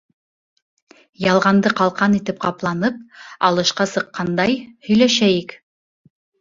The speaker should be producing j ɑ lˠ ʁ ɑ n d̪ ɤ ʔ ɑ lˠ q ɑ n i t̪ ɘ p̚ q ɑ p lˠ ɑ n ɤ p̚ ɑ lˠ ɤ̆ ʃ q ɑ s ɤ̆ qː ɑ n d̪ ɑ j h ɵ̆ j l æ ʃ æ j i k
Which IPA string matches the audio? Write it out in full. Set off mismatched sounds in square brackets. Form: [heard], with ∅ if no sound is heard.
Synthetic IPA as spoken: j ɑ lˠ ʁ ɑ n d̪ ɤ [q] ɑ lˠ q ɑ n i t̪ ɘ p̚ q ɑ p lˠ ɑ n ɤ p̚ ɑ lˠ ɤ̆ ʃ q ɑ s ɤ̆ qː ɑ n d̪ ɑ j h ɵ̆ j l æ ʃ æ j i k